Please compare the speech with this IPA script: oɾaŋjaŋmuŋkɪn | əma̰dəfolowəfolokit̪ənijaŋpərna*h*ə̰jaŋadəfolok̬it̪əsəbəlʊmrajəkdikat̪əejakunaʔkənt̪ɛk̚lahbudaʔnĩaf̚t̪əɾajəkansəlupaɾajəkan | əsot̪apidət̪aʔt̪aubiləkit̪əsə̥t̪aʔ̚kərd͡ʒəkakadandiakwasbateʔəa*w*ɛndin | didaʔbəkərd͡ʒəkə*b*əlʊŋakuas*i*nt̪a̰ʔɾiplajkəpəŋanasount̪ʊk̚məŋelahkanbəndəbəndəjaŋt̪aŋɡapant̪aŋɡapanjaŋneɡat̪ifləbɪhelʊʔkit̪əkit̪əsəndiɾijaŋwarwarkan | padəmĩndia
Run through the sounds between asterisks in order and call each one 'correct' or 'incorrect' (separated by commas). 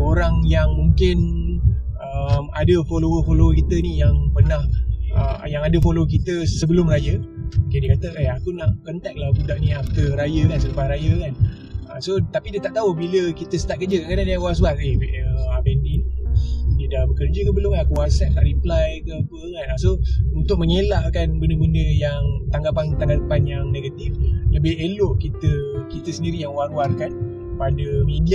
correct, incorrect, correct, incorrect